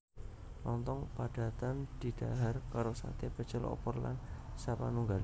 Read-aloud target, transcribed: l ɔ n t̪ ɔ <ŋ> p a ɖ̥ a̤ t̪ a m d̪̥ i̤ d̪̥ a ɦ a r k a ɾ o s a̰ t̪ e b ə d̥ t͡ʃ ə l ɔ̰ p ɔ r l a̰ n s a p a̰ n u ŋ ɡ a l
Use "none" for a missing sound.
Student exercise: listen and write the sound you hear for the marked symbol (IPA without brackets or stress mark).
ŋ